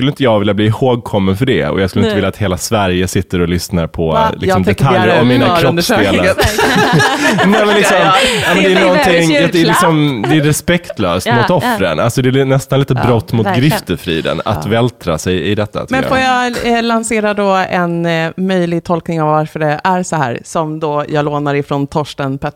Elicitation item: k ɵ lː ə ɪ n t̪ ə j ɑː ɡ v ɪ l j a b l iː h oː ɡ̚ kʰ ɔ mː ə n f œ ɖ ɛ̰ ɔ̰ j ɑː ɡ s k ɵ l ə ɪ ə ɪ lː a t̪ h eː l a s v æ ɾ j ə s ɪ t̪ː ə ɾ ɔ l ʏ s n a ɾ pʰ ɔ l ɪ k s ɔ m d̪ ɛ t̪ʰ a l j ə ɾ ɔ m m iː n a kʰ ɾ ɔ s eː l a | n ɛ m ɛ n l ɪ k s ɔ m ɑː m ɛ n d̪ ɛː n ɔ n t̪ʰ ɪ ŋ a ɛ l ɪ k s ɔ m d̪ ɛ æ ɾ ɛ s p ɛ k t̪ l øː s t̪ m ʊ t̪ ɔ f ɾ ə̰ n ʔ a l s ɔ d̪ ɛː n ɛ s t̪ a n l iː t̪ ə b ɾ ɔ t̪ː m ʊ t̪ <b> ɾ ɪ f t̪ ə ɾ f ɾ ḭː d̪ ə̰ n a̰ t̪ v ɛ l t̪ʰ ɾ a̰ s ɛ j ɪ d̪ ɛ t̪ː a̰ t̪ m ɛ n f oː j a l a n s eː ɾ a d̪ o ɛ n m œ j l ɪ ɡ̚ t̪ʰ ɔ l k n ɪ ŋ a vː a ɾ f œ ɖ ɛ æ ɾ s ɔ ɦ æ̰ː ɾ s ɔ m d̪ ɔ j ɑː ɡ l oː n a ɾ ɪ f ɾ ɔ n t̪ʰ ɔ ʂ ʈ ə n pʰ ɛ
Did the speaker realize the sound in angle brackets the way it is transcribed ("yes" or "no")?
no